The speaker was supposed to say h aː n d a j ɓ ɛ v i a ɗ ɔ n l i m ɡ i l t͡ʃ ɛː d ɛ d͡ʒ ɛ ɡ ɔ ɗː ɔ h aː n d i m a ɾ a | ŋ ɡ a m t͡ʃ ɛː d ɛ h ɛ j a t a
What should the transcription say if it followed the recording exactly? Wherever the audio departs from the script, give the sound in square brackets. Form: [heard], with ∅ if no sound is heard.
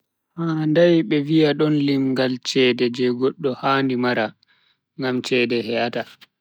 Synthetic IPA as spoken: h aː n d a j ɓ ɛ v i a ɗ ɔ n l i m ɡ [a] l t͡ʃ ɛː d ɛ d͡ʒ ɛ ɡ ɔ ɗː ɔ h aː n d i m a ɾ a | ŋ ɡ a m t͡ʃ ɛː d ɛ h ɛ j a t a